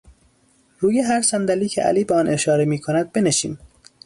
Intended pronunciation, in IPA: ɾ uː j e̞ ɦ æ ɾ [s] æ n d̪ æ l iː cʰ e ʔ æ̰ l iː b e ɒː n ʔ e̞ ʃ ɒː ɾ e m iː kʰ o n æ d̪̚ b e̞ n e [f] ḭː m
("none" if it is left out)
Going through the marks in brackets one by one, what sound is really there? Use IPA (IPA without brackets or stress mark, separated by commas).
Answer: s, ʃ